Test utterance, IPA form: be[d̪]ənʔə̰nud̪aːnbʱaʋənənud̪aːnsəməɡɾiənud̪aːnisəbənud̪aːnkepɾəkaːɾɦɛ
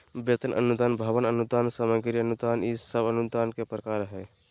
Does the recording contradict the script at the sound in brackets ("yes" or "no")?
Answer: yes